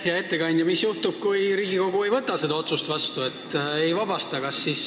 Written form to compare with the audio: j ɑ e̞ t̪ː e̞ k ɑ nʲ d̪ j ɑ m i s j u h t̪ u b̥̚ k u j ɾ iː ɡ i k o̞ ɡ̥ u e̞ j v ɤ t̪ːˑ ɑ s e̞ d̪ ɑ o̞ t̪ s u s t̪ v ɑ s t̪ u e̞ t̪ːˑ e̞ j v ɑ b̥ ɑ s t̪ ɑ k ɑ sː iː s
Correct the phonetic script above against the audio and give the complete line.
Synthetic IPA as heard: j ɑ e̞ t̪ː e̞ k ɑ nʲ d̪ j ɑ m i s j u h t̪ u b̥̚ k u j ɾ iː ɡ i k o̞ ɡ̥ u e̞ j v ɤ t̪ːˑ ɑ s e̞ d̪ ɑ o̞ t̪ s u s t̪ v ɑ s t̪ u e̞ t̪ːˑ e̞ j v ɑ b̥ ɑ s t̪ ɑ k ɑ sː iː s